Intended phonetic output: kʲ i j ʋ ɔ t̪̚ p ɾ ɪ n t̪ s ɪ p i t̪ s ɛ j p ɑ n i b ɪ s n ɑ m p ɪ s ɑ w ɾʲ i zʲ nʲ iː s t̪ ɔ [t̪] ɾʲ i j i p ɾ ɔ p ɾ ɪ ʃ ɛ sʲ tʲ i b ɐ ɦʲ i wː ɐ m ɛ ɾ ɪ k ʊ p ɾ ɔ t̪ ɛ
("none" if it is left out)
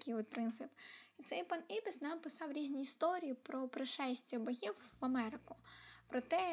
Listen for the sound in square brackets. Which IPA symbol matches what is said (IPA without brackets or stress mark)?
none